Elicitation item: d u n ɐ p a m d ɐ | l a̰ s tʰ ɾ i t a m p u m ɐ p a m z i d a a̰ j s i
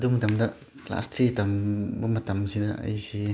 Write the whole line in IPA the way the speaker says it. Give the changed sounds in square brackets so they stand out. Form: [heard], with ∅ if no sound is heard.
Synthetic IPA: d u [m] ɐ [t] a m d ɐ | l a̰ s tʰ ɾ i t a m [b] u m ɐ [t] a m [s] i d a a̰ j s i